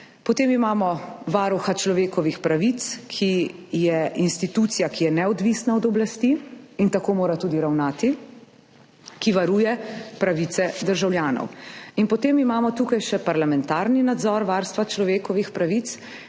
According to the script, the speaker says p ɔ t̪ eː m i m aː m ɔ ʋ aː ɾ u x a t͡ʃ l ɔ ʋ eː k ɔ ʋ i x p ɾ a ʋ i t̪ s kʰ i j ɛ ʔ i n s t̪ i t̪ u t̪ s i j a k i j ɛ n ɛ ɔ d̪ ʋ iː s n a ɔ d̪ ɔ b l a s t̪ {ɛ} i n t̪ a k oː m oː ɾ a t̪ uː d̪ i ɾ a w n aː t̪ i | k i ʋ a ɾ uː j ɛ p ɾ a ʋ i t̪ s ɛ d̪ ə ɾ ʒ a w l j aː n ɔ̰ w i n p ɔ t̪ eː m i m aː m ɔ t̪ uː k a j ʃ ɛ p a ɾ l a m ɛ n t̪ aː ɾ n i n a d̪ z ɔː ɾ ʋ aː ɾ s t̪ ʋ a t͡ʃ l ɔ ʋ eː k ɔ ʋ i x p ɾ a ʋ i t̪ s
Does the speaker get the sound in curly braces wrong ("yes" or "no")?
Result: yes